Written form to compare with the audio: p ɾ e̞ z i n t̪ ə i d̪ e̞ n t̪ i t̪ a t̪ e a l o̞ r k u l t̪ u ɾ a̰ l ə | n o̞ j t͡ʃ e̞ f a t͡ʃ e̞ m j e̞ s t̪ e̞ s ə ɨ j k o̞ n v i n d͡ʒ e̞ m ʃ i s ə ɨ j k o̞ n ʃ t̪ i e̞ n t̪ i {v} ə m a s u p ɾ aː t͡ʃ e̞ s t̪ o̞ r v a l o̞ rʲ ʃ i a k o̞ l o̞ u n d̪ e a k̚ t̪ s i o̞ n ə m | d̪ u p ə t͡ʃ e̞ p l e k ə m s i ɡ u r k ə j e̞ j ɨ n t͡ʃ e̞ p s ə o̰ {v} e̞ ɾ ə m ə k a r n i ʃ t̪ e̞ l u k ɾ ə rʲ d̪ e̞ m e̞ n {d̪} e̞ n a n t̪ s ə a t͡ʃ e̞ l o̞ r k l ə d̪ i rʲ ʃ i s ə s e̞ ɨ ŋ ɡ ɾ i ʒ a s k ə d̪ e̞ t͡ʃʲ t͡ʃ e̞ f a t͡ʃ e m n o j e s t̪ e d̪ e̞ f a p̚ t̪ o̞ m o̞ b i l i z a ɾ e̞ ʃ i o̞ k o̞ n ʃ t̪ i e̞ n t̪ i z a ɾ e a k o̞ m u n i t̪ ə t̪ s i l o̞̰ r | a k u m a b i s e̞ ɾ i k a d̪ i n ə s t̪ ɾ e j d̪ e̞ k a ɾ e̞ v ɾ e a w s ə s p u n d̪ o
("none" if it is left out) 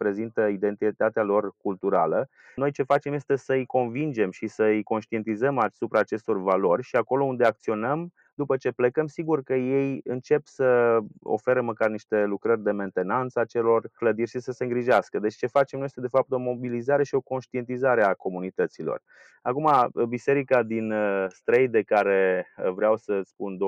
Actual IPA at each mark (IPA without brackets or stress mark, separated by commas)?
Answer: z, f, t̪